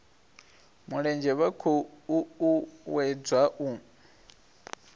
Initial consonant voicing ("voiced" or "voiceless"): voiced